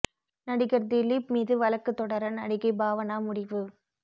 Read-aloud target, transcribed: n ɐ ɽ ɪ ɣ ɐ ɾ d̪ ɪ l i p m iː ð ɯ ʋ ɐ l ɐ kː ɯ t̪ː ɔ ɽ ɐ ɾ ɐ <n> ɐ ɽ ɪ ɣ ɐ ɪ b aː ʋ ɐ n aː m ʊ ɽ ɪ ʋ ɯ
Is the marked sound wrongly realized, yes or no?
no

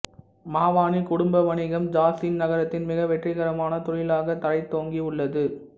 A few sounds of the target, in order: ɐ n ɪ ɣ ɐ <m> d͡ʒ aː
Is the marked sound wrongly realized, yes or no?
no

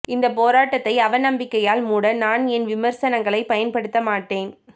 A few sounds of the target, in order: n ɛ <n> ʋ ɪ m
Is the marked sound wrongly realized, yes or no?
no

